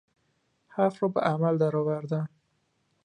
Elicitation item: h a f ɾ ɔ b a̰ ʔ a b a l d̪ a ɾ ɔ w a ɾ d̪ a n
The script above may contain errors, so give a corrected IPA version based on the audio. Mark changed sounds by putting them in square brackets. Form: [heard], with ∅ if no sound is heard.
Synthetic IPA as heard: h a f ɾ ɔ b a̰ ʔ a [m] a l d̪ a ɾ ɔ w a ɾ d̪ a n